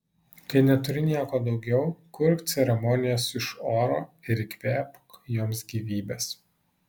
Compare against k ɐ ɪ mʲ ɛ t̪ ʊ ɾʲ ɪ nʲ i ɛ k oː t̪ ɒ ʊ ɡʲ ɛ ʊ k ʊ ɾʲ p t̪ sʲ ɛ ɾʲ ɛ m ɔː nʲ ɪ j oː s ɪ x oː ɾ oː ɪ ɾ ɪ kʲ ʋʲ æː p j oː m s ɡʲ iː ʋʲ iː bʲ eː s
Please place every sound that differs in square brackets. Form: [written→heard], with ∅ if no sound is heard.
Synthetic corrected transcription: k ɐ ɪ [mʲ→nʲ] ɛ t̪ ʊ ɾʲ ɪ nʲ i ɛ k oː [t̪→d̪] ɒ ʊ ɡʲ ɛ ʊ k ʊ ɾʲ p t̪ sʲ ɛ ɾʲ ɛ m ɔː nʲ ɪ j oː s ɪ [x→ʃ] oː ɾ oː ɪ ɾ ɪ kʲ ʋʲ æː p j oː m s ɡʲ iː ʋʲ iː bʲ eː s